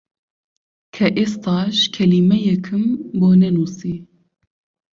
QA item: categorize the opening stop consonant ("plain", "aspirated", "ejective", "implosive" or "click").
aspirated